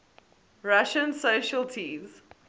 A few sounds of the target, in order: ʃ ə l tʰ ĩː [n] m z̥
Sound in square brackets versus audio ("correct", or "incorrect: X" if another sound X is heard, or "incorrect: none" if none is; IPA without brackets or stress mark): incorrect: none